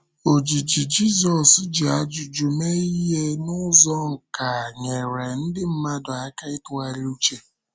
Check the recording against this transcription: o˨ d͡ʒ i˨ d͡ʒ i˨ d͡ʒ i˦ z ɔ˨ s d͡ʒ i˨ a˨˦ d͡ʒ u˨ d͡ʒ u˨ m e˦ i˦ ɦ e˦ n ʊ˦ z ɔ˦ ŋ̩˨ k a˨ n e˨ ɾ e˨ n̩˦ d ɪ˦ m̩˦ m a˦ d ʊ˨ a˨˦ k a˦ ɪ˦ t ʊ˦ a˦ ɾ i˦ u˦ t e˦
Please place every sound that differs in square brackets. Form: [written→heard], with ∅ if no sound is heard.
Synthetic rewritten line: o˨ d͡ʒ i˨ d͡ʒ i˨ d͡ʒ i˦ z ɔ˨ s d͡ʒ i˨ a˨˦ d͡ʒ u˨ d͡ʒ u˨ m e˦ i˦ ɦ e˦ n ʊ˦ z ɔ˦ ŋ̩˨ k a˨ [n→ɲ] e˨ ɾ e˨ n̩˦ d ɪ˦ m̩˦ m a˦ d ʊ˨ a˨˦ k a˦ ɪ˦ t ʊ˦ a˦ ɾ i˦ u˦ [t→t͡ʃ] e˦